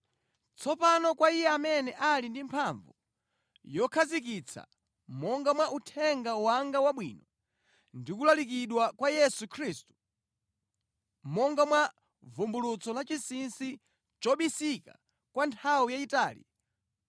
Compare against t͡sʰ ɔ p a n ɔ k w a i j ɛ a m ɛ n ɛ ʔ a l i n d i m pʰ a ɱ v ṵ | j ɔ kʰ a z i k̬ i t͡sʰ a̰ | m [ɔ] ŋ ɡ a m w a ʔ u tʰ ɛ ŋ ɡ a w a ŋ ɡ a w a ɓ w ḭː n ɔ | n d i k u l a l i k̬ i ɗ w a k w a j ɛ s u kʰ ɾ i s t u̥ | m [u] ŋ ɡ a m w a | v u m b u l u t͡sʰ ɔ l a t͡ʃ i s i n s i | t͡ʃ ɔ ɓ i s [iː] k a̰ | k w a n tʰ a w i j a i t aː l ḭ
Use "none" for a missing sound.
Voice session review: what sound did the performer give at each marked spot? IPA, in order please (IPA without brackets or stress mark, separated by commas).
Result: ɔ, ɔ, i